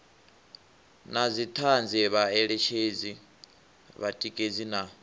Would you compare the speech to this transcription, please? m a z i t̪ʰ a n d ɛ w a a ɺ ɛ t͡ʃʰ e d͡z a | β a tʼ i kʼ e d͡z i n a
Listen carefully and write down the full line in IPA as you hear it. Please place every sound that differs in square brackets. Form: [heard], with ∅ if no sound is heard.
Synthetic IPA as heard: [n] a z i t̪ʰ a n [d͡z] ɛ [β] a [ɛ] ɺ ɛ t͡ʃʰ e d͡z [i] | β a tʼ i kʼ e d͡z i n a

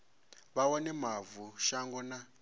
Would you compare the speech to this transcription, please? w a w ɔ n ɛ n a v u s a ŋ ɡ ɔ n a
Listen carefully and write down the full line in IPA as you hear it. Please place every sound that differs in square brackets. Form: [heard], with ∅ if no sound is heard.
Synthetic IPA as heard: [β] a w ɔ n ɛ [m] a v u [ʃ] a ŋ ɡ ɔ n a

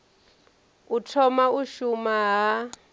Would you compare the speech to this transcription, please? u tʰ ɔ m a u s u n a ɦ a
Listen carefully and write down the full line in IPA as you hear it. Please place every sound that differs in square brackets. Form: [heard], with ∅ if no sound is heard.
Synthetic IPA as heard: u tʰ ɔ m a u [ʃ] u [m] a ɦ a

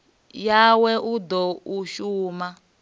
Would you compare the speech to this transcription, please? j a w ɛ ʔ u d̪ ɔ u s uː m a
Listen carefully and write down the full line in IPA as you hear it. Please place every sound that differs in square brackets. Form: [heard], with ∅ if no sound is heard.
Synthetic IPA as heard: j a w ɛ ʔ u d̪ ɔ u [ʃ] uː m a

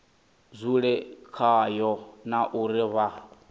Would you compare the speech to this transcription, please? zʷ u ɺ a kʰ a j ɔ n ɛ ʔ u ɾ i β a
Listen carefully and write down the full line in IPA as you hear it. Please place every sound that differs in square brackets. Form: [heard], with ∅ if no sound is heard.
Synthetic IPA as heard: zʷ u ɺ [ɛ] kʰ a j ɔ n [a] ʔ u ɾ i β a

